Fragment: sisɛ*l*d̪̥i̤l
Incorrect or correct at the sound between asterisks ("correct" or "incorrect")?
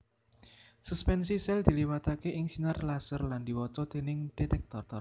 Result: correct